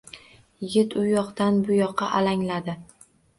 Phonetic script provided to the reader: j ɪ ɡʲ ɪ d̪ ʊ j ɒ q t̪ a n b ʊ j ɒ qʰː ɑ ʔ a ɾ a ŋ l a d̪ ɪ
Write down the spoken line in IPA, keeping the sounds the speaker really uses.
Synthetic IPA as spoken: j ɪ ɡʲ ɪ t̪ ʊ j ɒ q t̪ a n b ʊ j ɒ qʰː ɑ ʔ a l a ŋ l a d̪ ɪ